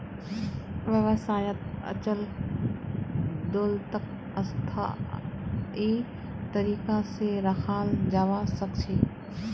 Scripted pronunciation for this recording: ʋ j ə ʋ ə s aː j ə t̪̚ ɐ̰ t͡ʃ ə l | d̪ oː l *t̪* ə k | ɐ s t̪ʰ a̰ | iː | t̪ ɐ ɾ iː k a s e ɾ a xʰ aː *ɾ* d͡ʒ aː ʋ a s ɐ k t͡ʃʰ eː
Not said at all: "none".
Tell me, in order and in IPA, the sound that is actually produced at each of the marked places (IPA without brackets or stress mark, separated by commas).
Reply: t̪, l